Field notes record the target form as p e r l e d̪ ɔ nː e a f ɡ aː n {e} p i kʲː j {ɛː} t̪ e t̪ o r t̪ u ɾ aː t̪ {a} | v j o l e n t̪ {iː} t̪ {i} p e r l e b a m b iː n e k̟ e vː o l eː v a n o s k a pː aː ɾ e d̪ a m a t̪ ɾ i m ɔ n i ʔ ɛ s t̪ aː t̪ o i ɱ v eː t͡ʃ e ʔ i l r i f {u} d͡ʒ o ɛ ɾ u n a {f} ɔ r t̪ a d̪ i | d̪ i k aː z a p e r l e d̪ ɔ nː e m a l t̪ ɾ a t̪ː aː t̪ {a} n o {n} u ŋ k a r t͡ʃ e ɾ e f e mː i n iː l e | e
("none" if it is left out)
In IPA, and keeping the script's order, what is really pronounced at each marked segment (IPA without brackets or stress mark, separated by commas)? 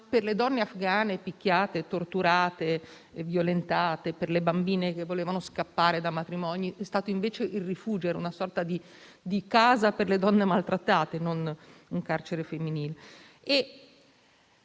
e, aː, e, aː, e, uː, s, e, n